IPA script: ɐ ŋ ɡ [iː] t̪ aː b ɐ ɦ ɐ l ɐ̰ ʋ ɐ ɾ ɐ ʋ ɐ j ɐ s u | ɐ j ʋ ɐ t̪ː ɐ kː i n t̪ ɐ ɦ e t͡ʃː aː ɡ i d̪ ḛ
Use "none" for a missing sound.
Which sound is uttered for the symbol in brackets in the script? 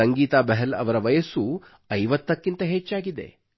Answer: iː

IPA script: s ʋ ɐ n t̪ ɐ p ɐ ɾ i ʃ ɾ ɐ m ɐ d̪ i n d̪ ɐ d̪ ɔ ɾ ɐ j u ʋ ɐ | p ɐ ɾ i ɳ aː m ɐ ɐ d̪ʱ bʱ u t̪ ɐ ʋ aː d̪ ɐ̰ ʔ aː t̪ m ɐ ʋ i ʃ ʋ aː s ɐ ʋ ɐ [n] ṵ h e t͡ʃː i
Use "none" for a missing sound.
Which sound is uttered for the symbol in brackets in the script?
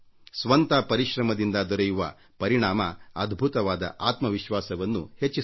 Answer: nː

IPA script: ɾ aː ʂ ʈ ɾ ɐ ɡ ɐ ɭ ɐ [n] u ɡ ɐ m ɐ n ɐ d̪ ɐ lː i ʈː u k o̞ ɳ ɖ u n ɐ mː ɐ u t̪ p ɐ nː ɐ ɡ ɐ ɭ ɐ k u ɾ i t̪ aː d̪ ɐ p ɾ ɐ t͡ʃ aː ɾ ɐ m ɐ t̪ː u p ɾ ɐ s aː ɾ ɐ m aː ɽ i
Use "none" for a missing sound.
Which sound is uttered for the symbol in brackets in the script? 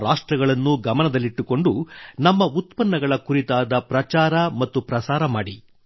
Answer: nː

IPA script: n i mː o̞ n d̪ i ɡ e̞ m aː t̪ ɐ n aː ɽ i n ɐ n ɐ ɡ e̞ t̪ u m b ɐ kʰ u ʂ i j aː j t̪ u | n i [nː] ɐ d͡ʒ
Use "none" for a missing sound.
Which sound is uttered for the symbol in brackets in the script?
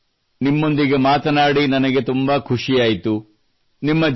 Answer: mː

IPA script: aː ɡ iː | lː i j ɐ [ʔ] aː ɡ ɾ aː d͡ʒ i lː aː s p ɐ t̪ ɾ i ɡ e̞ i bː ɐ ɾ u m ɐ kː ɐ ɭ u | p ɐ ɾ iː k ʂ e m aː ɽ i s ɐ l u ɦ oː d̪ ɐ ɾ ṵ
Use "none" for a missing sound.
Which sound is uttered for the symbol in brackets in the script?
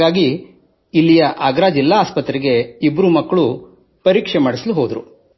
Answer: ʔ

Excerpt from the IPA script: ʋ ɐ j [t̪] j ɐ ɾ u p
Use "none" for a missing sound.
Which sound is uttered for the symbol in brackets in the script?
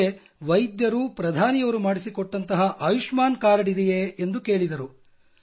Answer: d̪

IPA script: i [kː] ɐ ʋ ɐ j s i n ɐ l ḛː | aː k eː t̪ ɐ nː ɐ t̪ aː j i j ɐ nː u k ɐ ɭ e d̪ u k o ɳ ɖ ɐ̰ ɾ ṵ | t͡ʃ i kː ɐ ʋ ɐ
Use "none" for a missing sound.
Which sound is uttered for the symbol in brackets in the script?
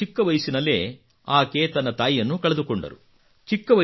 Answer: kː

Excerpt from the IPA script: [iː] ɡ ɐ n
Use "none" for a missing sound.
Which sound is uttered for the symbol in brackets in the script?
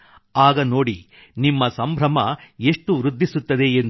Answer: aː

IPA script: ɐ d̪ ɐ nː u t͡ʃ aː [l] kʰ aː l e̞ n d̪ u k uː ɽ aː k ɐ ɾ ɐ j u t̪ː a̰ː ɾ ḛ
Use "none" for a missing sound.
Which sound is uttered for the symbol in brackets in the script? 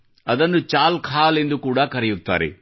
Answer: l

